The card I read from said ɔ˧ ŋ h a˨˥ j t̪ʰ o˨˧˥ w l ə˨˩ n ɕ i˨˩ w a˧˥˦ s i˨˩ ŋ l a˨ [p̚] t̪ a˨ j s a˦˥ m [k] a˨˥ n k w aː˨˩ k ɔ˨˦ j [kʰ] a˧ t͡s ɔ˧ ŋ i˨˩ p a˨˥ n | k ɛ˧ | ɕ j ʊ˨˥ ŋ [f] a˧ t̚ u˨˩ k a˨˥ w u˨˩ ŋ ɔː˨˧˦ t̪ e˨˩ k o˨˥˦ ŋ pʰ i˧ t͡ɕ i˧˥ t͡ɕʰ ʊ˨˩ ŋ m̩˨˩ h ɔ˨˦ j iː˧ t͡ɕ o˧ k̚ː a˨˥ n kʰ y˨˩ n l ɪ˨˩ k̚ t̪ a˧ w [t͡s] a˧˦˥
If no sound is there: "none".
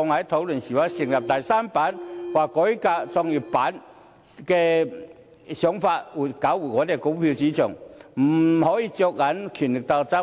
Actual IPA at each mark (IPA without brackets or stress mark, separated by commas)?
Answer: p̚, p, k, f, t͡s